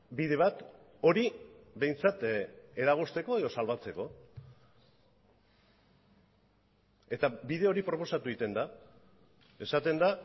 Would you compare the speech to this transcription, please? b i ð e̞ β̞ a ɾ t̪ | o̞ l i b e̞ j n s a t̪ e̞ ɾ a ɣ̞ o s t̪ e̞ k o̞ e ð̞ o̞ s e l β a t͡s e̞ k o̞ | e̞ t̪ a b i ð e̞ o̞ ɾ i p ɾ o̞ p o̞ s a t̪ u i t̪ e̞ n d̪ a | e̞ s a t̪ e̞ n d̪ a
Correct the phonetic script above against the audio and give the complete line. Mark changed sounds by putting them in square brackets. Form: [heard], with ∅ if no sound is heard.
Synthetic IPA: b i ð e̞ β̞ a [∅] t̪ | o̞ [ɾ] i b e̞ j n [t͡s] a t̪ e̞ ɾ a ɣ̞ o s t̪ e̞ k o̞ e ð̞ o̞ s [a] l β a t͡s e̞ k o̞ | e̞ t̪ a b i ð e̞ o̞ ɾ i p ɾ o̞ p o̞ s a t̪ u i t̪ e̞ n d̪ a | e̞ s a t̪ e̞ n d̪ a